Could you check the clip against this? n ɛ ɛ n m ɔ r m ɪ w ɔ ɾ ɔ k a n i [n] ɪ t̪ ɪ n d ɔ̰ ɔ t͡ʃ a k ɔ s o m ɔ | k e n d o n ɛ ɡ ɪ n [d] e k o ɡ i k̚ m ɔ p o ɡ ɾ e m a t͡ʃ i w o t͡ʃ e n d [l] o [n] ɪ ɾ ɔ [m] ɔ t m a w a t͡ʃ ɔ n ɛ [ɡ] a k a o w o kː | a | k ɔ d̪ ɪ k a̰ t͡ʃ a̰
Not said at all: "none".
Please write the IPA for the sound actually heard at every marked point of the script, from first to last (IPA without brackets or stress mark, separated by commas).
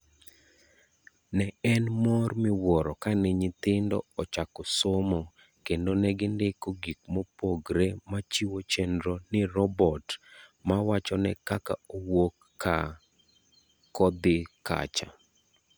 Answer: ɲ, d, ɾ, n, b, k